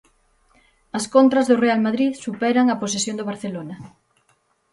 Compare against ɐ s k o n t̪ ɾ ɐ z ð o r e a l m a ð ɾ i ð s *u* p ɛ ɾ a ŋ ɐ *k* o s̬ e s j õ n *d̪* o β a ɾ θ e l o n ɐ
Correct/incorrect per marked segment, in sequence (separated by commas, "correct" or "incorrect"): correct, incorrect, correct